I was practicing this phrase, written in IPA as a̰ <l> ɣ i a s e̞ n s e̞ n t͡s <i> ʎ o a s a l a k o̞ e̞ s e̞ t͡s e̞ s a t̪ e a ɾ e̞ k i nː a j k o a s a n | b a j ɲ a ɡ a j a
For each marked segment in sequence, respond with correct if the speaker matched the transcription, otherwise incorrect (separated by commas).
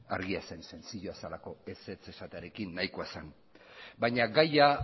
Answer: incorrect, correct